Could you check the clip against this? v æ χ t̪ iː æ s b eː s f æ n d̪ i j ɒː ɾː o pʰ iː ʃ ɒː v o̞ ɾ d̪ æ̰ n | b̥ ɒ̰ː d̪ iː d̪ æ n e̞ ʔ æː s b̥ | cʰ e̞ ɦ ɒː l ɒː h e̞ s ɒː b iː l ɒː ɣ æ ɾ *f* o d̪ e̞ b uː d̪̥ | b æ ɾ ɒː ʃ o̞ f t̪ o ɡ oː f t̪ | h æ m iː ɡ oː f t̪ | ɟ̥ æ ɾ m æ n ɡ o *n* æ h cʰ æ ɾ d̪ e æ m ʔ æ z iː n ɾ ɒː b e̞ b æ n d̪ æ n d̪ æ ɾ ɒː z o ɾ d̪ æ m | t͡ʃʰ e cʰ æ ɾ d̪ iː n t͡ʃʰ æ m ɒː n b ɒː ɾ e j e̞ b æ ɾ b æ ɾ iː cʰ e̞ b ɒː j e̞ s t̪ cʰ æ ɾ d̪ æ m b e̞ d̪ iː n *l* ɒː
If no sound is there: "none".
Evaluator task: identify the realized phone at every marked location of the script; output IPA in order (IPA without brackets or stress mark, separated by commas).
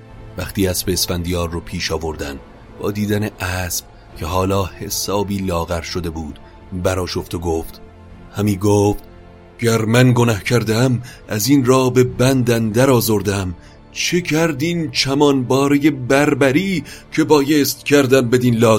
ʃ, n, l